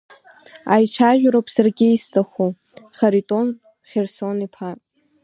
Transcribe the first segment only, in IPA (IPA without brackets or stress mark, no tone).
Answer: a